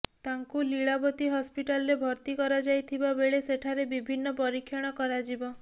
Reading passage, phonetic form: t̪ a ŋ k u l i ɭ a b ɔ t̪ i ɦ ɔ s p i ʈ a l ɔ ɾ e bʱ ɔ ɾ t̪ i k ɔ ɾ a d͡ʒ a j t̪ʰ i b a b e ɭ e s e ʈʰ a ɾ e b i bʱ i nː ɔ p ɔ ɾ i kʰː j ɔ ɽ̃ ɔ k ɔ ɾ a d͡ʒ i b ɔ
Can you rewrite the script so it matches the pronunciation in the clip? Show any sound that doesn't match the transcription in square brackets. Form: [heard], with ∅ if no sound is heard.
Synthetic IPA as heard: t̪ a ŋ k u l i ɭ a b ɔ t̪ i ɦ ɔ s p i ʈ a l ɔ ɾ e bʱ ɔ ɾ t̪ i k ɔ ɾ a d͡ʒ a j t̪ʰ i b a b e ɭ e s e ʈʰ a ɾ e b i bʱ i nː ɔ p ɔ ɾ i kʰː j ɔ ɽ̃ ɔ k ɔ ɾ a d͡ʒ i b ɔ